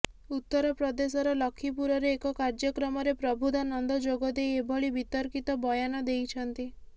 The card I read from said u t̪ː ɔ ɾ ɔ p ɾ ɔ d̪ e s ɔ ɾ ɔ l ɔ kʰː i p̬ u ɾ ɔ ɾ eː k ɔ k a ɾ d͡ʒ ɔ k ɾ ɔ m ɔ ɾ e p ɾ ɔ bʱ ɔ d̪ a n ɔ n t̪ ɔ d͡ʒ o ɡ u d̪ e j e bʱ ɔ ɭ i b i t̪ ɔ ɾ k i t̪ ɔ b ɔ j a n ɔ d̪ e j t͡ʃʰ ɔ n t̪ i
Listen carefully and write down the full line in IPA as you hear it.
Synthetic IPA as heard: u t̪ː ɔ ɾ ɔ p ɾ ɔ d̪ e s ɔ ɾ ɔ l ɔ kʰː i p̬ u ɾ ɔ ɾ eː k ɔ k a ɾ d͡ʒ ɔ k ɾ ɔ m ɔ ɾ e p ɾ ɔ bʱ u d̪ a n ɔ n d̪ ɔ d͡ʒ o ɡ ɔ d̪ e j e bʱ ɔ ɭ i b i t̪ ɔ ɾ k i t̪ ɔ b ɔ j a n ɔ d̪ e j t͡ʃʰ ɔ n t̪ i

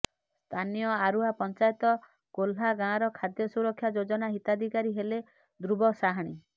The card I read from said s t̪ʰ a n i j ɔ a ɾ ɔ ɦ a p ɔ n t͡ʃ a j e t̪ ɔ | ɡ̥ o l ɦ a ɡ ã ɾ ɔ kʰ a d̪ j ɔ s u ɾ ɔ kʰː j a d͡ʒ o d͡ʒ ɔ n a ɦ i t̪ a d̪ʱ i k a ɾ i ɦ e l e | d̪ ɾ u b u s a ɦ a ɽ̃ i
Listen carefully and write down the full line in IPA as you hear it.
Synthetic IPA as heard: s t̪ʰ a n i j ɔ a ɾ u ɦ a p ɔ n t͡ʃ a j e t̪ ɔ | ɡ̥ o l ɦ a ɡ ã ɾ ɔ kʰ a d̪ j ɔ s u ɾ ɔ kʰː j a d͡ʒ o d͡ʒ ɔ n a ɦ i t̪ a d̪ʱ i k a ɾ i ɦ e l e | d̪ ɾ u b ɔ s a ɦ a ɽ̃ i

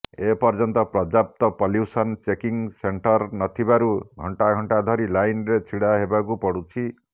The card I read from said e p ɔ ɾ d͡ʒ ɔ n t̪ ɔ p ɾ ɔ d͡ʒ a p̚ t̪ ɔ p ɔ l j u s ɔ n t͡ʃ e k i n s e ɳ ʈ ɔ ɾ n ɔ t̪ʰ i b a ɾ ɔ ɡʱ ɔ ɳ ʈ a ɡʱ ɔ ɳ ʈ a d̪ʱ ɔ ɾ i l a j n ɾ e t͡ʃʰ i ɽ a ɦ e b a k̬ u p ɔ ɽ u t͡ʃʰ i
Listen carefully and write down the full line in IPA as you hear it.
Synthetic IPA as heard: e p ɔ ɾ d͡ʒ ɔ n t̪ ɔ p ɾ ɔ d͡ʒ a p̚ t̪ ɔ p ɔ l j u s ɔ n t͡ʃ e k i ŋ s e ɳ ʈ ɔ ɾ n ɔ t̪ʰ i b a ɾ u ɡʱ ɔ ɳ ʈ a ɡʱ ɔ ɳ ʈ a d̪ʱ ɔ ɾ i l a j n ɾ e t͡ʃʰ i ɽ a ɦ e b a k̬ u p ɔ ɽ u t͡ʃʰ i

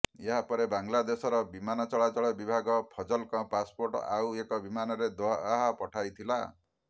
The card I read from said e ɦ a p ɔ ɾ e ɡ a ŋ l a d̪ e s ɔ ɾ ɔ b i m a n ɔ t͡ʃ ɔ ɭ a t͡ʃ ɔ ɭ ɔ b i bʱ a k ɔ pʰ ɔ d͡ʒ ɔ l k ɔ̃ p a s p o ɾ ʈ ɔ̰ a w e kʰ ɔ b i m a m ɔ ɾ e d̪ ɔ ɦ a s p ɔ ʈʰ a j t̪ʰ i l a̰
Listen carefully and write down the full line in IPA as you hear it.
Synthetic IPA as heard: e ɦ a p ɔ ɾ e b a ŋ l a d̪ e s ɔ ɾ ɔ b i m a n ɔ t͡ʃ ɔ ɭ a t͡ʃ ɔ ɭ ɔ b i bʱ a ɡ ɔ pʰ ɔ d͡ʒ ɔ l k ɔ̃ p a s p o ɾ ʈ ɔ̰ a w e k ɔ b i m a n ɔ ɾ e d̪ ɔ ɦ a p ɔ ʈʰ a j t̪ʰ i l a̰

